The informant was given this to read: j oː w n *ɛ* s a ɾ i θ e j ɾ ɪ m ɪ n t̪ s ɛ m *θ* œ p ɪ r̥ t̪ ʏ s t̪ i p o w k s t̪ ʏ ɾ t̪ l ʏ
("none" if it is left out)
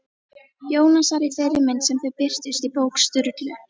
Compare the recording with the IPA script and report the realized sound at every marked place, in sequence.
a, θ

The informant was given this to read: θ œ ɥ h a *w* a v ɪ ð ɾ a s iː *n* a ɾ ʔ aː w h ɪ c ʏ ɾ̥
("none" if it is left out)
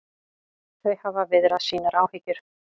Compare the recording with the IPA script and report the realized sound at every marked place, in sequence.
v, n

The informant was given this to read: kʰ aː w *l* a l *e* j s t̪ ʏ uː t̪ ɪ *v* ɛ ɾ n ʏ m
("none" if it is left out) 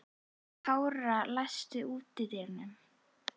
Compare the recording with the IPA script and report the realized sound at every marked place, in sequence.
ɾ, a, ð

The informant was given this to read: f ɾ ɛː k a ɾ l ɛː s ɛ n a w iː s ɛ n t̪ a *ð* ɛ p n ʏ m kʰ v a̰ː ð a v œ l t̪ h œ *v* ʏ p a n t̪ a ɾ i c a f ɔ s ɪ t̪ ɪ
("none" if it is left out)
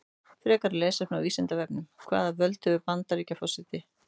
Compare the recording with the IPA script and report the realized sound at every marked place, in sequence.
v, v

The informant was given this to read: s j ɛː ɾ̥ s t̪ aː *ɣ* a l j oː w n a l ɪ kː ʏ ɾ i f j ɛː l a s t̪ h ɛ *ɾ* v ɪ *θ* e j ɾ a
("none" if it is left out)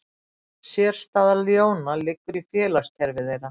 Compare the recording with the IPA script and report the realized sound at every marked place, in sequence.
ð, ɾ, ð

